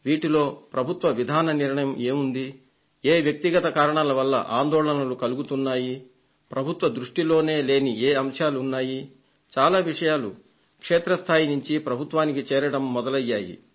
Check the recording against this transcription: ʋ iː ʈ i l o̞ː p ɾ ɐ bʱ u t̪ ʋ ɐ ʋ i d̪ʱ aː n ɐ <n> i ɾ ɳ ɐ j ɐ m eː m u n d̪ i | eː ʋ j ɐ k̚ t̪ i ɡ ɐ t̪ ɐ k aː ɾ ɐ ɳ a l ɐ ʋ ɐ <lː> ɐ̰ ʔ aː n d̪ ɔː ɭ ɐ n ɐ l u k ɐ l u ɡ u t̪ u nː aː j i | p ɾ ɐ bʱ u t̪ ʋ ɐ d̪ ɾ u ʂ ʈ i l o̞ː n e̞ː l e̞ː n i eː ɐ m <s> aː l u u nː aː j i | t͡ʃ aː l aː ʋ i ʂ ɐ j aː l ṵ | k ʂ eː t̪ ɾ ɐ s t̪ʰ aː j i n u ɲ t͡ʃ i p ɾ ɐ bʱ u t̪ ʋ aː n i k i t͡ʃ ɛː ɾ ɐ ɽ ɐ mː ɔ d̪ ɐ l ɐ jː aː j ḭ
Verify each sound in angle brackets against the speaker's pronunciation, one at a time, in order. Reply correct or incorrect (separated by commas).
correct, correct, incorrect